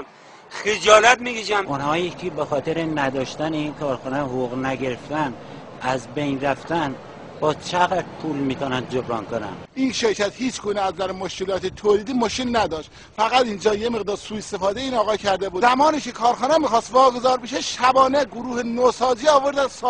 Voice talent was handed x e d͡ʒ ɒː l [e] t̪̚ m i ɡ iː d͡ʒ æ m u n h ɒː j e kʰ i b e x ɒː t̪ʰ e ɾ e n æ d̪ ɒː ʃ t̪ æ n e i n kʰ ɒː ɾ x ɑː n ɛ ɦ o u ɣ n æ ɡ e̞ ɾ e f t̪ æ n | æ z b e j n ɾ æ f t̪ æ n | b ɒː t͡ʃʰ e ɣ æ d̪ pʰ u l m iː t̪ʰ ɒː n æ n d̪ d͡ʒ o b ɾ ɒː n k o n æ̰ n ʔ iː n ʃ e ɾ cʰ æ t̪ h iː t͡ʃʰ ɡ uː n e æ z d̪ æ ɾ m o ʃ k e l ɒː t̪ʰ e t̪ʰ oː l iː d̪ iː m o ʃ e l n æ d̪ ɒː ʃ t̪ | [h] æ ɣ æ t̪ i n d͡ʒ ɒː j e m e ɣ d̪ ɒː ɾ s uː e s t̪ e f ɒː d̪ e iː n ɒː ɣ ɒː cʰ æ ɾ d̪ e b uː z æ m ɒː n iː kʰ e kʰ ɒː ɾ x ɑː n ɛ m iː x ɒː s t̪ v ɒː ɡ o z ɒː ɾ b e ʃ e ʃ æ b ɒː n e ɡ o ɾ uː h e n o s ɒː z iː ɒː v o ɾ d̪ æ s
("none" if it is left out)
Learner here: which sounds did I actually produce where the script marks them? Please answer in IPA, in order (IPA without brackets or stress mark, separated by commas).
æ, f